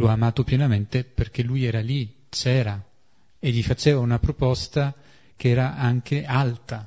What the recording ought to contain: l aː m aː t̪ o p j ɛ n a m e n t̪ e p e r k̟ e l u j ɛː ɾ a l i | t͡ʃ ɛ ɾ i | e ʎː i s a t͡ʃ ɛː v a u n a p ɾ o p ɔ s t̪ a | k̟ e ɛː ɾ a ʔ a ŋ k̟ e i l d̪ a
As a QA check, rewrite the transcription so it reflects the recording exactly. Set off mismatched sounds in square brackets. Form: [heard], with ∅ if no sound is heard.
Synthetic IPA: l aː m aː t̪ o p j ɛ n a m e n t̪ e p e r k̟ e l u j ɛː ɾ a l i | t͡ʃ [ɛː] ɾ [a] | e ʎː i [f] a t͡ʃ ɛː v a u n a p ɾ o p ɔ s t̪ a | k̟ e ɛː ɾ a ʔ a ŋ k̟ e [a] l [t̪] a